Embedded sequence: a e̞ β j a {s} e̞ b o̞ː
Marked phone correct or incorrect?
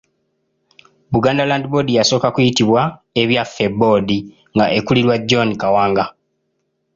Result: incorrect